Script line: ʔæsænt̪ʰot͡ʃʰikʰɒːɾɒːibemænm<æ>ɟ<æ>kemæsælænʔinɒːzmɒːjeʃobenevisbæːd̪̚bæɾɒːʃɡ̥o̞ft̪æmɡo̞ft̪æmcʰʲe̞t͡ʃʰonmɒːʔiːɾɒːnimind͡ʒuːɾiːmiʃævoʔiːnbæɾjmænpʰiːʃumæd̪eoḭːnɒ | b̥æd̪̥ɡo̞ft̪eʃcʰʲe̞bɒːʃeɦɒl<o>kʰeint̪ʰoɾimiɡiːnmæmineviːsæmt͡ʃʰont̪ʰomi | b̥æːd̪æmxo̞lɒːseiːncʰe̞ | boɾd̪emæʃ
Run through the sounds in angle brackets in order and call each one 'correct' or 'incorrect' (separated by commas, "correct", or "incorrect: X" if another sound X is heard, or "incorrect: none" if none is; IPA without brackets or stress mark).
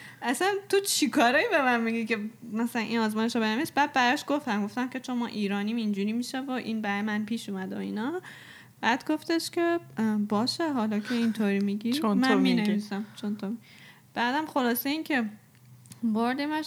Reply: incorrect: i, incorrect: i, incorrect: ɒ